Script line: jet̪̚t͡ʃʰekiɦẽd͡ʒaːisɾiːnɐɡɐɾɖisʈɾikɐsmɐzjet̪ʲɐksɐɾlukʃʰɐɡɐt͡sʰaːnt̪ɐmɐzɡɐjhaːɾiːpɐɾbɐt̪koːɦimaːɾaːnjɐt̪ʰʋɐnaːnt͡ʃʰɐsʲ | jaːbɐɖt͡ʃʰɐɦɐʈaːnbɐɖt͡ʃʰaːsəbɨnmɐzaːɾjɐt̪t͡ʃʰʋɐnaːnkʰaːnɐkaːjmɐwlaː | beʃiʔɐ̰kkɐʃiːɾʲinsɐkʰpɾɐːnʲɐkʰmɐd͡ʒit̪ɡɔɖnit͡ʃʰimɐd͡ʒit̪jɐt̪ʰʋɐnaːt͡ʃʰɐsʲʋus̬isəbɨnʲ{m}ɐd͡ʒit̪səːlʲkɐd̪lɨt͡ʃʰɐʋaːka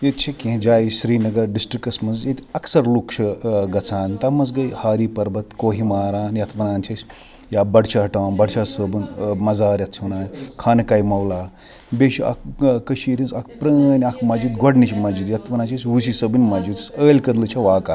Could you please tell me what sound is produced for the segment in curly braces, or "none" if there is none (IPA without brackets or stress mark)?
m